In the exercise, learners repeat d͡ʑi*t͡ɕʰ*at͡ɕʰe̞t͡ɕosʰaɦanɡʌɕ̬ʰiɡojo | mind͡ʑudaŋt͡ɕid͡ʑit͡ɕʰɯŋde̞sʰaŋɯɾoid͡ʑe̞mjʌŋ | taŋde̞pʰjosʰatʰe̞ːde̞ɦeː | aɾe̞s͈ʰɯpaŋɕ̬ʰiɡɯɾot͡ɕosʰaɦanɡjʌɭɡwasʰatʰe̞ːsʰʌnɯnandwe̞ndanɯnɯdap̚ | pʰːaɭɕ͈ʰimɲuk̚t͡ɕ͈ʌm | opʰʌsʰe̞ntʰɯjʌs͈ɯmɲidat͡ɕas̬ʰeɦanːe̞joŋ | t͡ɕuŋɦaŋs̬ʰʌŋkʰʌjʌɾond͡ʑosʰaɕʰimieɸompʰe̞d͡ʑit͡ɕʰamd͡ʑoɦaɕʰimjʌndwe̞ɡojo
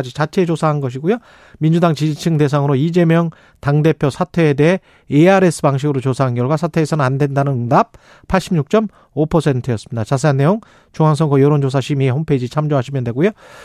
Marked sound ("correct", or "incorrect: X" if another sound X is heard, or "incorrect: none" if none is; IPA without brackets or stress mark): incorrect: t͡ɕ